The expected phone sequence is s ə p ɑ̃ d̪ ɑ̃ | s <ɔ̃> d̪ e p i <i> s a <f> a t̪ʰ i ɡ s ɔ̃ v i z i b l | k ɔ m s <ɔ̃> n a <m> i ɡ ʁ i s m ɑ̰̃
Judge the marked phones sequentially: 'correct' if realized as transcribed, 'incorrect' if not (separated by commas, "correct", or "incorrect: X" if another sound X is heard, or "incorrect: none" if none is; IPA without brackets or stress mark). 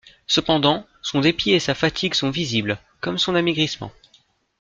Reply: correct, incorrect: e, correct, correct, correct